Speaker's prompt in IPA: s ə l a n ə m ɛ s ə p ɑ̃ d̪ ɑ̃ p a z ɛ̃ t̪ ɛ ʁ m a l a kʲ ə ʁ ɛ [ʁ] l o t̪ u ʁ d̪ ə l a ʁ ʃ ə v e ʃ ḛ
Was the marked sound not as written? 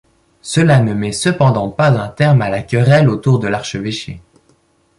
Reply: yes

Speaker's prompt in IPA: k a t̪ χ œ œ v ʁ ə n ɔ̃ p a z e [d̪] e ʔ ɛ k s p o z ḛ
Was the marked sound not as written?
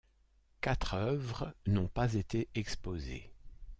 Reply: yes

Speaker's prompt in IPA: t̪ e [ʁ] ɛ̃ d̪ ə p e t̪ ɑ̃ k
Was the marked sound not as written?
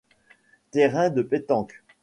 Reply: no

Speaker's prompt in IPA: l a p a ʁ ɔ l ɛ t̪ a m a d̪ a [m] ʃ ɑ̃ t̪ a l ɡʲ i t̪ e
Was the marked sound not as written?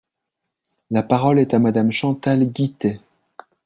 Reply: no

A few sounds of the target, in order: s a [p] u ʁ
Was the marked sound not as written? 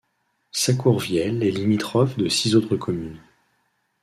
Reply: yes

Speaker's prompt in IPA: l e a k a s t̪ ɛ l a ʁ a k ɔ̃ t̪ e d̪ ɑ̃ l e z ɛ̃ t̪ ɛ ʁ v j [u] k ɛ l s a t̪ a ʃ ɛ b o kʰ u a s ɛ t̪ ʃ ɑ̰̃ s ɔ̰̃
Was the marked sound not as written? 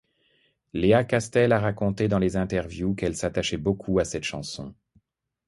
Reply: no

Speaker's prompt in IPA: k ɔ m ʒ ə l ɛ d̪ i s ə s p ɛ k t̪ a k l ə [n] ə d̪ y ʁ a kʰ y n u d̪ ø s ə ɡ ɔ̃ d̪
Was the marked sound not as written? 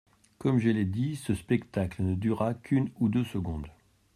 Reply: no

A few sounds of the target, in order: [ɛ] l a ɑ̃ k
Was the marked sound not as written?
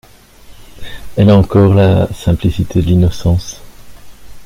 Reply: no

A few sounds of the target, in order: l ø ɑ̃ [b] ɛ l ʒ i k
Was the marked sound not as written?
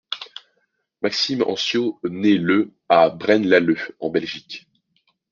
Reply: no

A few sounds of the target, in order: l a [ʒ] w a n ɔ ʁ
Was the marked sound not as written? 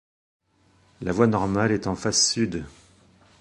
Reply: yes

